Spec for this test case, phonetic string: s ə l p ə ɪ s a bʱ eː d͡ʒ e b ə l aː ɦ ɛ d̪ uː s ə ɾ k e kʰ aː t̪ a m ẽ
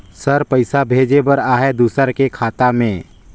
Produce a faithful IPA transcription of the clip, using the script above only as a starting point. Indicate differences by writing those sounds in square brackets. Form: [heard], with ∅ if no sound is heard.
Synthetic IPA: s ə [ɾ] p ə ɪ s a bʱ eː d͡ʒ e b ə [ɾ] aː ɦ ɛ d̪ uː s ə ɾ k e kʰ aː t̪ a m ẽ